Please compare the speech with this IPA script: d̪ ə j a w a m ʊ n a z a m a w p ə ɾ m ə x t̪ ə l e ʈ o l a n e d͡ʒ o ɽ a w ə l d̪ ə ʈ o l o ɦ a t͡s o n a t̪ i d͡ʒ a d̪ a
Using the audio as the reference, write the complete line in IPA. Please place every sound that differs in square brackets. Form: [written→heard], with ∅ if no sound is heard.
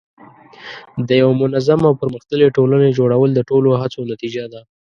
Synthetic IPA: d̪ ə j a w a m ʊ n a z a m a w p ə ɾ m ə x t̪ ə l e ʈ o l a n e d͡ʒ o ɽ a w ə l d̪ ə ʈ o l o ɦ a t͡s o n a t̪ i d͡ʒ a d̪ a